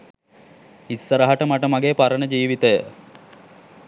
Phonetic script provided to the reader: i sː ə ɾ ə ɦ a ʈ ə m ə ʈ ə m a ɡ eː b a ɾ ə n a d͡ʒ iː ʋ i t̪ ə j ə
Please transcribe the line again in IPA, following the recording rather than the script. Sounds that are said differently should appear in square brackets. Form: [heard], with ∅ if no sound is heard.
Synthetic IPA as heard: i sː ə ɾ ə ɦ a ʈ ə m [a] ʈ ə m a ɡ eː [p] a ɾ ə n [ə] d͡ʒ iː ʋ i t̪ ə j ə